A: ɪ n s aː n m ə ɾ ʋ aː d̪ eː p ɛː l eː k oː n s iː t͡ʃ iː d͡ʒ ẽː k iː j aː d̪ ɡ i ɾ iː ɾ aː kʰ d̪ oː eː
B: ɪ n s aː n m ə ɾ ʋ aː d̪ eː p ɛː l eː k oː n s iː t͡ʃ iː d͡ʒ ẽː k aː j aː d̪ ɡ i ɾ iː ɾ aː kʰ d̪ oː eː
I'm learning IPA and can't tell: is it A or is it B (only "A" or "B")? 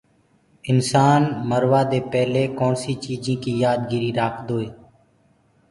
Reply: A